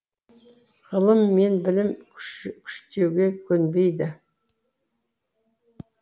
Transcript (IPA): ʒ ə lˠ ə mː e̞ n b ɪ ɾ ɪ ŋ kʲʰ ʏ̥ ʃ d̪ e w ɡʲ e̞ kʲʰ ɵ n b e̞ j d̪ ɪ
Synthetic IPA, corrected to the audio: ʁ ə lˠ ə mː e̞ n b ɪ l ɪ m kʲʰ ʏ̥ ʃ t̪ e w ɡʲ e̞ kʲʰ ɵ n b e̞ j d̪ ɪ